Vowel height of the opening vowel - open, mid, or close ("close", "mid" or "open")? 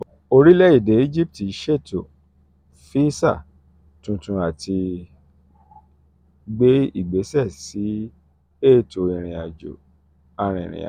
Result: mid